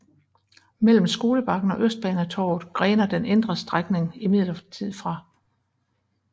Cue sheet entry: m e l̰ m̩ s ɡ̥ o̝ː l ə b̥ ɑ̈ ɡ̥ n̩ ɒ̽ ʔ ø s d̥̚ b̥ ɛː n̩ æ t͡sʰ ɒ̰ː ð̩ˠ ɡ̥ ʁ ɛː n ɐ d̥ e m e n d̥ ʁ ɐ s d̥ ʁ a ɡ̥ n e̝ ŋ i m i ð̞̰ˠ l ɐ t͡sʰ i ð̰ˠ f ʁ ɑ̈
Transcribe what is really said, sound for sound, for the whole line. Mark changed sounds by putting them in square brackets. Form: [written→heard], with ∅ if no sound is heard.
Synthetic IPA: m e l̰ m̩ s ɡ̥ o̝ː l ə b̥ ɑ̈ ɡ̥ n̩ ɒ̽ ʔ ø s d̥̚ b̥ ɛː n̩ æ t͡sʰ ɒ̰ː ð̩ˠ ɡ̥ ʁ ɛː n ɐ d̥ e [m→n] e n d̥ ʁ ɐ s d̥ ʁ a ɡ̥ n e̝ ŋ i m i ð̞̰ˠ l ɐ t͡sʰ i ð̰ˠ f ʁ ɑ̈